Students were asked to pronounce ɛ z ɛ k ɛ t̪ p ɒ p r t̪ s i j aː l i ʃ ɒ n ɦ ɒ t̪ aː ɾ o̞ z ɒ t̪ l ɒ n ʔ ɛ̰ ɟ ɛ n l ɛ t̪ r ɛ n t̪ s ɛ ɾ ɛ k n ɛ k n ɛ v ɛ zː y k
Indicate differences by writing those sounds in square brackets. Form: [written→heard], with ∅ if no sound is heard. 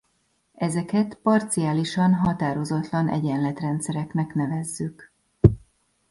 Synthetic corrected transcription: ɛ z ɛ k ɛ t̪ p ɒ [p→∅] r t̪ s i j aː l i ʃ ɒ n ɦ ɒ t̪ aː ɾ o̞ z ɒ t̪ l ɒ n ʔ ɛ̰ ɟ ɛ n l ɛ t̪ r ɛ n t̪ s ɛ ɾ ɛ k n ɛ k n ɛ v ɛ zː y k